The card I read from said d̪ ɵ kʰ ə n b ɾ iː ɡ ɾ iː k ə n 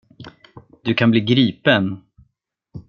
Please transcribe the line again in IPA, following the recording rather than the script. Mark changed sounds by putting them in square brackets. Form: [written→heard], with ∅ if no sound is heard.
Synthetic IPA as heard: d̪ ɵ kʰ [ə→a] n b [ɾ→l] iː ɡ ɾ iː [k→p] ə n